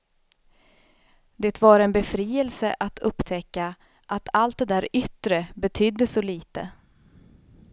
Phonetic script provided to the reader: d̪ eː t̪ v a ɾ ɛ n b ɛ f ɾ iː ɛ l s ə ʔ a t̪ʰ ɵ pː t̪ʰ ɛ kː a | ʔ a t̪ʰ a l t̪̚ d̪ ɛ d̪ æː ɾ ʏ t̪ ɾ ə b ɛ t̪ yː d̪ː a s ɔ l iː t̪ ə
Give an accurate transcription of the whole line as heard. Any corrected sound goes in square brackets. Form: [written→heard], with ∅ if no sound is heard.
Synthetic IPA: d̪ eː t̪ v a ɾ ɛ n b ɛ f ɾ iː ɛ l s ə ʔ a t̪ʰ ɵ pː t̪ʰ ɛ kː a | ʔ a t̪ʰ a l t̪̚ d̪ ɛ d̪ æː ɾ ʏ t̪ ɾ ə b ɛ [t̪→t̪ʰ] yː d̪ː [a→ə] s ɔ l iː t̪ ə